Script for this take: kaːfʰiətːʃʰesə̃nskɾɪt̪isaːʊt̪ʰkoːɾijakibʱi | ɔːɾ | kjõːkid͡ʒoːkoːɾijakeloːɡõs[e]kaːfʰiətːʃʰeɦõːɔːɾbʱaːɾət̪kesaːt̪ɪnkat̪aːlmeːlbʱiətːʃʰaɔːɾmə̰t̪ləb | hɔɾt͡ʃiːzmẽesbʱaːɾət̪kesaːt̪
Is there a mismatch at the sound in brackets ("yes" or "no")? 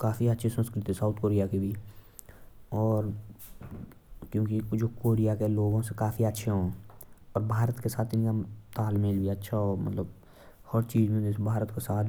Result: no